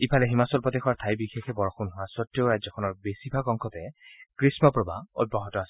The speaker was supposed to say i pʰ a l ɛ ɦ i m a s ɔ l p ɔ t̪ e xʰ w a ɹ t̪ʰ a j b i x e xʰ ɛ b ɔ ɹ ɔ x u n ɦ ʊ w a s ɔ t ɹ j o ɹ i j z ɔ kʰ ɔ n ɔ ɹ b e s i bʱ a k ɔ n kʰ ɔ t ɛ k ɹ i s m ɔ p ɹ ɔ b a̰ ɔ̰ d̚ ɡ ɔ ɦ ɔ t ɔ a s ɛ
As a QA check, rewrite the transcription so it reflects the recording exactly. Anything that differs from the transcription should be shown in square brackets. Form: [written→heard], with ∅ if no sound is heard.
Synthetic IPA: i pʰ a l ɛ ɦ i m a s ɔ l p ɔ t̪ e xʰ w a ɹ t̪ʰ a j b i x e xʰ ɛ b ɔ ɹ ɔ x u n ɦ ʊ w a s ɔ t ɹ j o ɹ [i→a] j z ɔ kʰ ɔ n ɔ ɹ b e s i bʱ a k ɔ [n→ŋ] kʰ ɔ t ɛ k ɹ i s m ɔ p ɹ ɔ b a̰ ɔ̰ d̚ [ɡ→b] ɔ ɦ ɔ t ɔ a s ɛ

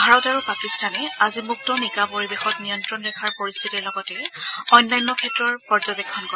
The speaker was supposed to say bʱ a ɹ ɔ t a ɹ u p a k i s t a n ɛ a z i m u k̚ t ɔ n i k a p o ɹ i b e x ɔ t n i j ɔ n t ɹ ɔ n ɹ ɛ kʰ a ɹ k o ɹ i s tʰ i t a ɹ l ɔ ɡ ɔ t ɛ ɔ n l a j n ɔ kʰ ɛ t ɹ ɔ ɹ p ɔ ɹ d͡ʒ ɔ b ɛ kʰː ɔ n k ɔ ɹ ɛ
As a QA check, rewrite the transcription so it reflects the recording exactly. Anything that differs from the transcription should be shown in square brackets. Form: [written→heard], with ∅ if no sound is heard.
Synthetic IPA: bʱ a ɹ ɔ t a ɹ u p a k i s t a n ɛ a z i m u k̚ t ɔ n i k a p o ɹ i b e x ɔ t n i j ɔ n t ɹ ɔ n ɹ ɛ kʰ a ɹ [k→p] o ɹ i s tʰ i t [a→i] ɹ l ɔ ɡ ɔ t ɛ ɔ n l a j n ɔ kʰ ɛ t ɹ ɔ ɹ p ɔ ɹ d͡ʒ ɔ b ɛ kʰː ɔ n k ɔ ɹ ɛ

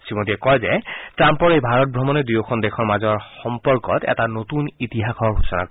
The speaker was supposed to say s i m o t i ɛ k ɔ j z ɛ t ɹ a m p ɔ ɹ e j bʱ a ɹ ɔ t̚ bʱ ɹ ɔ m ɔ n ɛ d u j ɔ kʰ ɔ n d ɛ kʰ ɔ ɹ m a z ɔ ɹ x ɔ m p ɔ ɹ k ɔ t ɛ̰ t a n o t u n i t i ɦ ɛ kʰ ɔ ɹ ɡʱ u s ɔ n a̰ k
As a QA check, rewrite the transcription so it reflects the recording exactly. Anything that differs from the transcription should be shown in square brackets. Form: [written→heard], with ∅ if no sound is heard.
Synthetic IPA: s i m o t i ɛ k ɔ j z ɛ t ɹ a m p ɔ ɹ e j bʱ a ɹ ɔ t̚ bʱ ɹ ɔ m ɔ n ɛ d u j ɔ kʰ ɔ n d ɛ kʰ ɔ ɹ m a z ɔ ɹ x ɔ m p ɔ ɹ k ɔ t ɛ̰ t a n o t u n i t i ɦ [ɛ→a] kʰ ɔ ɹ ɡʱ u s ɔ n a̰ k

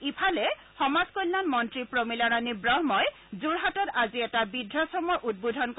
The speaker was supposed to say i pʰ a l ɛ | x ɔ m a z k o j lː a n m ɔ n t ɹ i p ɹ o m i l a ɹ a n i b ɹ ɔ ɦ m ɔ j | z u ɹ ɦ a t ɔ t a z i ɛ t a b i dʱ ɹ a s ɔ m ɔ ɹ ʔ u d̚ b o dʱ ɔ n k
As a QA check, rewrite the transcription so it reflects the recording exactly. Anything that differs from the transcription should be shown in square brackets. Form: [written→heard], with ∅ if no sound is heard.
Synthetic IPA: i pʰ a l ɛ | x ɔ m a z k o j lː a n m ɔ n t ɹ i p ɹ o m i l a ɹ a n i b ɹ ɔ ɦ m ɔ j | z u ɹ ɦ a t ɔ t a z i ɛ t a b i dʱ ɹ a s ɔ m ɔ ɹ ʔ u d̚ b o dʱ ɔ n k

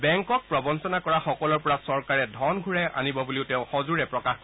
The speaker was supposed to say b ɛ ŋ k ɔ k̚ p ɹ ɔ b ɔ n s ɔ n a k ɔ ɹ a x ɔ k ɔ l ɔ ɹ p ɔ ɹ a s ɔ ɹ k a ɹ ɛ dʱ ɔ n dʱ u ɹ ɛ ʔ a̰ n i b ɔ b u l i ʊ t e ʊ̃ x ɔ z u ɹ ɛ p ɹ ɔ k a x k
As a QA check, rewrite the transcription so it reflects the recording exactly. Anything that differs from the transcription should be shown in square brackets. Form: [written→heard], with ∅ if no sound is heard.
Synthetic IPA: b ɛ ŋ k ɔ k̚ p ɹ ɔ b ɔ n s ɔ n a k ɔ ɹ a x ɔ k ɔ l ɔ ɹ p ɔ ɹ a s ɔ ɹ k a ɹ ɛ dʱ ɔ n [dʱ→ɡʱ] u ɹ ɛ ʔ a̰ n i b ɔ b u l i ʊ t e ʊ̃ x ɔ z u ɹ ɛ p ɹ ɔ k a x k

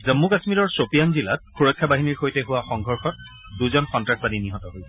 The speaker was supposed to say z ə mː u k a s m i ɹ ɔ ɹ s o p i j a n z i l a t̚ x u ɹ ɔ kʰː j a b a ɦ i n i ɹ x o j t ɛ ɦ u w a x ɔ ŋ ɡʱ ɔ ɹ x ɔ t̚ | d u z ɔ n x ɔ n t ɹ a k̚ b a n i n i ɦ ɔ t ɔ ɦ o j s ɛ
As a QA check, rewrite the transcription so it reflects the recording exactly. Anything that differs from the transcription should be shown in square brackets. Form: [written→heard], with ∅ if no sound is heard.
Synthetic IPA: z ə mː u k a s m i ɹ ɔ ɹ s o p i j a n z i l a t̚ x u ɹ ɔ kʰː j a b a ɦ i n i ɹ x o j t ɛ ɦ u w a x ɔ ŋ ɡʱ ɔ ɹ x ɔ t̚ | d u z ɔ n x ɔ n t ɹ a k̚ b a n i n i ɦ ɔ t ɔ ɦ o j s ɛ

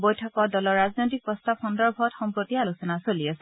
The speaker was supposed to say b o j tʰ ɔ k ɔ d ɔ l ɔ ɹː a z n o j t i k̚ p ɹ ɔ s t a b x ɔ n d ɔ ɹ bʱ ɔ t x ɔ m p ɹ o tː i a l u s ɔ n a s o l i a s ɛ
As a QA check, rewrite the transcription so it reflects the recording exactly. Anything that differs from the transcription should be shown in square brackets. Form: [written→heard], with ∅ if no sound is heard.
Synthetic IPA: b o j tʰ ɔ k ɔ d ɔ l ɔ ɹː a z n o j t i k̚ p ɹ ɔ s t a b x ɔ n d ɔ ɹ bʱ ɔ t x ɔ m p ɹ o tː i a l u s ɔ n a s o l i a s ɛ

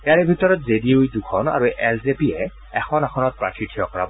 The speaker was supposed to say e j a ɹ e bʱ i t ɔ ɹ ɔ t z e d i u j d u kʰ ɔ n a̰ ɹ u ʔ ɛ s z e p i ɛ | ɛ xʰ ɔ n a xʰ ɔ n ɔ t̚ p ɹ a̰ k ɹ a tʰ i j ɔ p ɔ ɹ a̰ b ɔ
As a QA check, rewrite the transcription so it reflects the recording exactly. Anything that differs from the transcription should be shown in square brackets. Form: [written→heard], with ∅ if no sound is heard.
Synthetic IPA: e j a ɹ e bʱ i t ɔ ɹ ɔ t z e d i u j d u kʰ ɔ n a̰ ɹ u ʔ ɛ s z e p i ɛ | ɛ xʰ ɔ n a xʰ ɔ n ɔ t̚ p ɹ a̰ k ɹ [a→i] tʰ i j ɔ [p→k] ɔ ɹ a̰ b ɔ

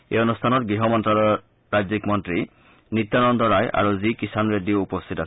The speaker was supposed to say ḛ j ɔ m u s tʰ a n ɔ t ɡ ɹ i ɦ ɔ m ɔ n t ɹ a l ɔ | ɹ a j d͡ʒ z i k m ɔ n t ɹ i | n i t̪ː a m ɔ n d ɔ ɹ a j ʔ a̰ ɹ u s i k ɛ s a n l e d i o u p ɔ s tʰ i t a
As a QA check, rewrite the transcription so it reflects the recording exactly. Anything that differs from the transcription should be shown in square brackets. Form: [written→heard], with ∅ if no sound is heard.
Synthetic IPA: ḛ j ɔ [m→n] u s tʰ a n ɔ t ɡ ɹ i ɦ ɔ m ɔ n t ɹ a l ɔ | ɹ a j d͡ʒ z i k m ɔ n t ɹ i | n i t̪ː a [m→n] ɔ n d ɔ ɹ a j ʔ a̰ ɹ u [s→z] i k [ɛ→i] s a n [l→ɹ] e d i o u p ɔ s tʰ i t a

